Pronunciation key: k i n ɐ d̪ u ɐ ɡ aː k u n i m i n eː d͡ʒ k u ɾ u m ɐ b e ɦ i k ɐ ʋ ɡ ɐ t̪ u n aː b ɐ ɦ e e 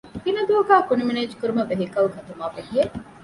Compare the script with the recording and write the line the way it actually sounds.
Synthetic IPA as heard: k i n ɐ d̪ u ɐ ɡ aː k u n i m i n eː d͡ʒ k u ɾ u m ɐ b e ɦ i k ɐ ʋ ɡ ɐ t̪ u m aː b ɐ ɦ i e